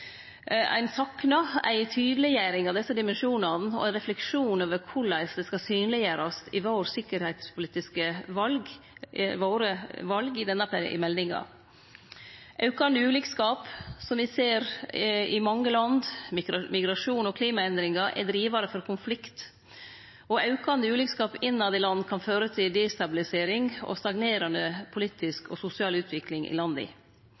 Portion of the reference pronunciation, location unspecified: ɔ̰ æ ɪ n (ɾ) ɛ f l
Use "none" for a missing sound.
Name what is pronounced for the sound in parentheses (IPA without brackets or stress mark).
ɾ